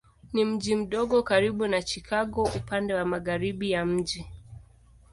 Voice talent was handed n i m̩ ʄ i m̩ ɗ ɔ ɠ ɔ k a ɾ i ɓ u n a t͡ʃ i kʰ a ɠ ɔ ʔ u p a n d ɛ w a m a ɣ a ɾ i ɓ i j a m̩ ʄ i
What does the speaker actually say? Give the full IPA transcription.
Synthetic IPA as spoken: n i m̩ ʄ i m̩ ɗ ɔ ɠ ɔ k a ɾ i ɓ u n a t͡ʃ i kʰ a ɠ ɔ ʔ u p a n d ɛ w a m a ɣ a ɾ i ɓ i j a m̩ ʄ i